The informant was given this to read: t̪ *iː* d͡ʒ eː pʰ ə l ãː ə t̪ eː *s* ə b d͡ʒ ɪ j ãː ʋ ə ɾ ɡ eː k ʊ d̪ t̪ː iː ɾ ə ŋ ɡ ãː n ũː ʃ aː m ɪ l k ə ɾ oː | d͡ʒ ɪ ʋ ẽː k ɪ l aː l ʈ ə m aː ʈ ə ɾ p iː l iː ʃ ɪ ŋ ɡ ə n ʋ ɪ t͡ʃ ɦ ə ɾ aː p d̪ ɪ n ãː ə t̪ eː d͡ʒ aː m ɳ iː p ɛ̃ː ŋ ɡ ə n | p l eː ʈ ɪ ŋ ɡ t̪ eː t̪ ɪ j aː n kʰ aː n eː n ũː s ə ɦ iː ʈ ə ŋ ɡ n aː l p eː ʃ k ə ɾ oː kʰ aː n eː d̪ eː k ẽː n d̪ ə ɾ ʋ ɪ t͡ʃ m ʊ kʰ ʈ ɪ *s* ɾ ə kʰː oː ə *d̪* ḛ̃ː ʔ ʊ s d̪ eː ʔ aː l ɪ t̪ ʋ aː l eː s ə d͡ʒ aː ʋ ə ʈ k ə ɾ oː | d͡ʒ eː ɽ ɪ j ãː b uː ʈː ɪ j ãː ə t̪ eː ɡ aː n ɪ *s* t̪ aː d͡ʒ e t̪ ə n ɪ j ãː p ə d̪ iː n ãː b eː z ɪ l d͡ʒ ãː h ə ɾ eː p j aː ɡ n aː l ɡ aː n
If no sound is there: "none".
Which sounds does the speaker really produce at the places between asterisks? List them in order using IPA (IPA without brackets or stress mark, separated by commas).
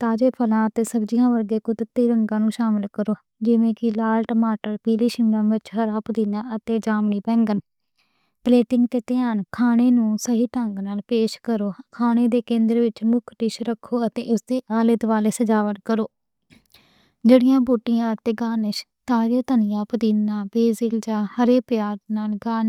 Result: aː, s, ʃ, t̪, ʃ